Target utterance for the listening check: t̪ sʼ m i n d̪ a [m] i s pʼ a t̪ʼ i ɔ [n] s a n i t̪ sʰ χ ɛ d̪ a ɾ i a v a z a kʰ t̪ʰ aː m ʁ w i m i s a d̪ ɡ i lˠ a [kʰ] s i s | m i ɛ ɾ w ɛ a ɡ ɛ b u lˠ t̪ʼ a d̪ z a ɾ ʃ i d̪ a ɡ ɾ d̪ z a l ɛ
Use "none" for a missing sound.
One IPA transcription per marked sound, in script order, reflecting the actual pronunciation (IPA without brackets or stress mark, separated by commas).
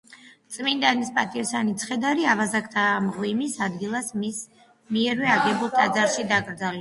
n, none, none